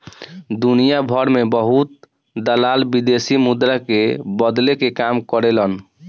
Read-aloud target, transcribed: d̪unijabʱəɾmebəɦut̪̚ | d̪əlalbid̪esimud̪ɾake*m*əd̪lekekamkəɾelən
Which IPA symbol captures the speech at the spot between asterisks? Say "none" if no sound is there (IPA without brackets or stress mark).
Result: b